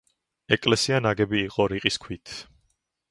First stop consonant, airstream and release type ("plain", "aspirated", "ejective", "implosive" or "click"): ejective